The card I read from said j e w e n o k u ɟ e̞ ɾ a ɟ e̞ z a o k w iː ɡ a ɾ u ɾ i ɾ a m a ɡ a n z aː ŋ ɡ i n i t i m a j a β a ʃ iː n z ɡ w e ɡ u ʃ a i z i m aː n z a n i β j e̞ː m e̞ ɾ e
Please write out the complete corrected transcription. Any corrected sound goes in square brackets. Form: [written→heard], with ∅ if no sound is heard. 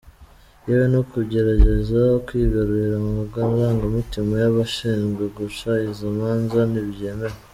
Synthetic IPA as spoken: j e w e n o k u ɟ e̞ ɾ a ɟ e̞ z a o k w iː ɡ a ɾ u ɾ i ɾ a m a ɡ a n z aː ŋ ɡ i [n→m] i t i m a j a β a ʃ iː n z ɡ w e ɡ u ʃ a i z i m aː n z a n i β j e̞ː m e̞ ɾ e